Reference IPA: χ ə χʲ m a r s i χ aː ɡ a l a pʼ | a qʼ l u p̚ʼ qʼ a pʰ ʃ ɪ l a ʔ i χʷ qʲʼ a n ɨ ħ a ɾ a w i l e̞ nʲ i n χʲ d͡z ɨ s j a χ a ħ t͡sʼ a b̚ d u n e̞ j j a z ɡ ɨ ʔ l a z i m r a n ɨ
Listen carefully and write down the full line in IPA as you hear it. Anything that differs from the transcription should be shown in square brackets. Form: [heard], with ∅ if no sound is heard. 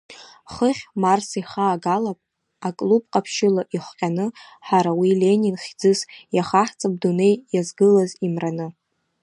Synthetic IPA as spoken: χ ə χʲ m a r s i χ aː ɡ a l a pʼ | a [kʼ] l u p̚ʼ qʼ a pʰ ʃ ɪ l a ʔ i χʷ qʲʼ a n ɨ ħ a ɾ a w i l e̞ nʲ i n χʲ d͡z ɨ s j a χ a ħ t͡sʼ a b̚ d u n e̞ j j a z ɡ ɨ [∅] l a z i m r a n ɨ